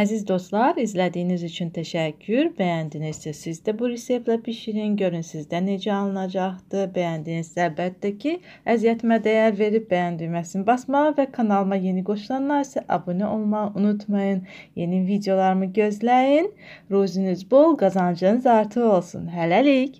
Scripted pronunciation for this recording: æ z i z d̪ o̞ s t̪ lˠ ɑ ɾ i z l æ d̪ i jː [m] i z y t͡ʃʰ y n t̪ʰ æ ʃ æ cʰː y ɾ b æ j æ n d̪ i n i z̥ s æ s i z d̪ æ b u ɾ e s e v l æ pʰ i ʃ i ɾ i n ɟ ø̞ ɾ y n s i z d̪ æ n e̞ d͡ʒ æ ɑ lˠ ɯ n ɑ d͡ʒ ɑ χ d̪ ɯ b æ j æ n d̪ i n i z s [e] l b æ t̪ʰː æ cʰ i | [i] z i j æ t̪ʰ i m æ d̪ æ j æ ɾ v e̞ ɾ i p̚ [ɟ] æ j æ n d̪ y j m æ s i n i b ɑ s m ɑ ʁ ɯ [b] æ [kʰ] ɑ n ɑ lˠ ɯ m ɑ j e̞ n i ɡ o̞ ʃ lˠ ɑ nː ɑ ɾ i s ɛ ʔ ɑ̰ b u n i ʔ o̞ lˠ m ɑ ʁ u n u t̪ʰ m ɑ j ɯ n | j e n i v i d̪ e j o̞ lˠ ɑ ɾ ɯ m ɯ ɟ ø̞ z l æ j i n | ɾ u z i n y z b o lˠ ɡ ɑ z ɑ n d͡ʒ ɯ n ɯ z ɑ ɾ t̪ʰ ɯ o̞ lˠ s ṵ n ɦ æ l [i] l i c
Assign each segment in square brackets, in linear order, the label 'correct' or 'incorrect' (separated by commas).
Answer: incorrect, incorrect, incorrect, incorrect, incorrect, correct, incorrect